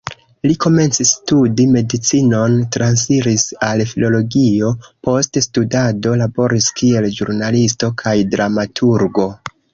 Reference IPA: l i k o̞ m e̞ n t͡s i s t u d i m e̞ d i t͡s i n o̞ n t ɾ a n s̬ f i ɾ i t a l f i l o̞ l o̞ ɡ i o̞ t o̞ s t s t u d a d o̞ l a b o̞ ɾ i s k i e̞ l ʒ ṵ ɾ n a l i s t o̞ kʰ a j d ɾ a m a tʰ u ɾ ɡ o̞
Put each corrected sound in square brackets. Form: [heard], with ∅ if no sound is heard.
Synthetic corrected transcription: l i k o̞ m e̞ n t͡s i s t u d i m e̞ d i t͡s i n o̞ n t ɾ a n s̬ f i ɾ i [s] a l f i l o̞ l o̞ ɡ i o̞ [p] o̞ s t s t u d a d o̞ l a b o̞ ɾ i s k i e̞ l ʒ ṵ ɾ n a l i s t o̞ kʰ a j d ɾ a m a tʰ u ɾ ɡ o̞